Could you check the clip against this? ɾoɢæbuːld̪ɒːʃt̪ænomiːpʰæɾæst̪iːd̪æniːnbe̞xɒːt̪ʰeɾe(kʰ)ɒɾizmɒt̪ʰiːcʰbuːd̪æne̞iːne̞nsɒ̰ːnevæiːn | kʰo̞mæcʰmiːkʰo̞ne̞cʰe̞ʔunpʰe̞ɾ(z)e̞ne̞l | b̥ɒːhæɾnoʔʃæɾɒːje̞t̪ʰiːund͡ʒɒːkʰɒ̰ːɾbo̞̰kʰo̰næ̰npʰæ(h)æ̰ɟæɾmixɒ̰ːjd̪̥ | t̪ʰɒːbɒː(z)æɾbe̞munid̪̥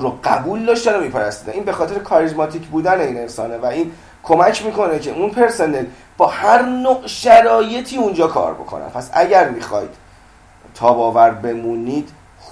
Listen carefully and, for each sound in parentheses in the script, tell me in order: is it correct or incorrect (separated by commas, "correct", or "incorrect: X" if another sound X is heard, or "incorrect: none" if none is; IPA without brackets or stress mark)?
correct, incorrect: s, incorrect: s, incorrect: v